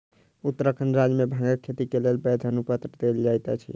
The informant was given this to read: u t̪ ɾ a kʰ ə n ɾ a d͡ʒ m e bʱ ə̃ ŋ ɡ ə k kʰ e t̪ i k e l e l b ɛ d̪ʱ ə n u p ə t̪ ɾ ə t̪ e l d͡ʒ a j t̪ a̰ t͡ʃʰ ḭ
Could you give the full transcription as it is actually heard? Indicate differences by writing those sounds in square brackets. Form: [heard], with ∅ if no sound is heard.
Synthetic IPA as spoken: u t̪ ɾ [ə] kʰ ə n ɾ a d͡ʒ m e bʱ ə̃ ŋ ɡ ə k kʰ e t̪ i k e l e l b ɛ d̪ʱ ə n u p ə t̪ ɾ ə [d̪] e l d͡ʒ a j t̪ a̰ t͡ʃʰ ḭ